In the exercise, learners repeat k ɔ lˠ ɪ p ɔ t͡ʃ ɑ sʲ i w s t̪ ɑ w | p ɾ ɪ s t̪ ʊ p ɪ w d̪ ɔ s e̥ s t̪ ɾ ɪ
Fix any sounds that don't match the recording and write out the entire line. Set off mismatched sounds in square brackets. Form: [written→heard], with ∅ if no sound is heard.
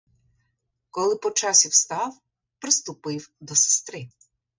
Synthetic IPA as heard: k ɔ lˠ ɪ p ɔ t͡ʃ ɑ sʲ i w s t̪ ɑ w | p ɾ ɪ s t̪ ʊ p ɪ w d̪ ɔ s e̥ s t̪ ɾ ɪ